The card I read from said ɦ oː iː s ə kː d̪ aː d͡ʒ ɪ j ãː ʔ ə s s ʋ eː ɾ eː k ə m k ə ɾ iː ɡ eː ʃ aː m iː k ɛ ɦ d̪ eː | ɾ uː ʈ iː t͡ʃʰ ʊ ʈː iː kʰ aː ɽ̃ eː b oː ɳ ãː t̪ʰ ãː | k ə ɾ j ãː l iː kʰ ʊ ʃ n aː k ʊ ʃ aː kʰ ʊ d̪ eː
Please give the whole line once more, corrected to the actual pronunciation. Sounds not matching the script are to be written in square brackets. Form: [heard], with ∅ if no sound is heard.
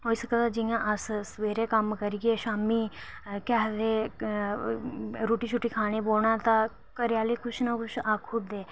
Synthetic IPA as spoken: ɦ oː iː s ə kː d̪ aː d͡ʒ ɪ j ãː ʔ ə s s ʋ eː ɾ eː k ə m k ə ɾ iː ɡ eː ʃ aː m iː k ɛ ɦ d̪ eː | ɾ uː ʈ iː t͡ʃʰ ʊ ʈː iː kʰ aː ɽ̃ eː b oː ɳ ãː [t̪] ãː | k ə ɾ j [aː] l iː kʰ ʊ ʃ n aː k ʊ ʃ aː kʰ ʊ d̪ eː